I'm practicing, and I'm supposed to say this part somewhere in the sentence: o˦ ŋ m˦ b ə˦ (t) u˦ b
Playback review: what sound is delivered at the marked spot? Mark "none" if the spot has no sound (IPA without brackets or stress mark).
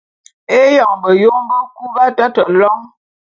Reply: k